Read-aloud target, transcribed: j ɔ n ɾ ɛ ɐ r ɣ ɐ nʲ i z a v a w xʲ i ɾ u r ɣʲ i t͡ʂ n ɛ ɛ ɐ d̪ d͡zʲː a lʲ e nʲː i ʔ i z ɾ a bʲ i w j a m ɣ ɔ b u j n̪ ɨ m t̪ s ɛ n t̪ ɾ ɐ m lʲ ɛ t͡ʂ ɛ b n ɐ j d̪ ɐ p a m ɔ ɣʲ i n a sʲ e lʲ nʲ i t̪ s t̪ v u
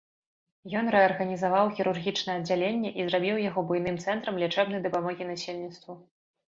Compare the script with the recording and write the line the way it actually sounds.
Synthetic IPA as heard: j ɔ n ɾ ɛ ɐ r ɣ ɐ nʲ i z a v a w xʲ i ɾ u r ɣʲ i t͡ʂ n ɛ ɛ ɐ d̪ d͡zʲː a lʲ e nʲː ɛ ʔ i z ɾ a bʲ i w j a ɣ ɔ b u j n̪ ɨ m t̪ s ɛ n t̪ ɾ ɐ m lʲ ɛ t͡ʂ ɛ b n ɐ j d̪ ɐ p a m ɔ ɣʲ i n a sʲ e lʲ nʲ i t̪ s t̪ v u